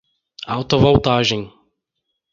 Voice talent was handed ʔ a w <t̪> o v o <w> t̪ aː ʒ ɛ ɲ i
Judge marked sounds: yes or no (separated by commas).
yes, yes